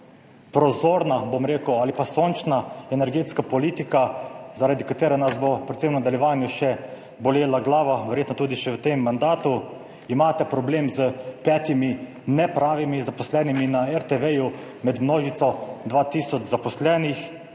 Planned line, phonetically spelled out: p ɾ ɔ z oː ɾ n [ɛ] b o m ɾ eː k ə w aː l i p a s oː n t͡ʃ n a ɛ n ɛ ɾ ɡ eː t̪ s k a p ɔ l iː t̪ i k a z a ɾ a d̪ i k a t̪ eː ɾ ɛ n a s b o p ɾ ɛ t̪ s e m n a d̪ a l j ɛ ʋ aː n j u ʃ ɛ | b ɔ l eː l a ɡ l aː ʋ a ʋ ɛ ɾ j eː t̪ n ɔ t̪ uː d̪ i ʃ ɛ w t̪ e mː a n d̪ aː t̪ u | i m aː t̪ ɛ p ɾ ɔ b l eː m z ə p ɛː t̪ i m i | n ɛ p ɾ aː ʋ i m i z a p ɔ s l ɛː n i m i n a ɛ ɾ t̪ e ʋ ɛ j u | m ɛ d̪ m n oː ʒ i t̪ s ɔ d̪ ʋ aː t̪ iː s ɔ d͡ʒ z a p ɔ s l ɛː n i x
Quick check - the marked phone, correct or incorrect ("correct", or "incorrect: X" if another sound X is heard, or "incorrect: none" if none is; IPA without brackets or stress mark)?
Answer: incorrect: a